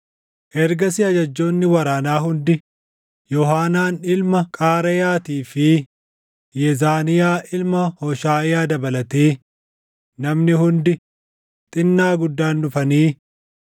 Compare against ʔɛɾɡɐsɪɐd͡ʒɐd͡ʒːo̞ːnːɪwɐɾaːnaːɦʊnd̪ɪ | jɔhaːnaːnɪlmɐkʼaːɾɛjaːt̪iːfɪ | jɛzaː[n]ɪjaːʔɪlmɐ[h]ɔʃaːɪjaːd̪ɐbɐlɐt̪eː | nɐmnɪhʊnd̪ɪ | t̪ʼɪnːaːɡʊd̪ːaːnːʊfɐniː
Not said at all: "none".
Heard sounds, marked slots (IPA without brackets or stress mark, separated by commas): n, h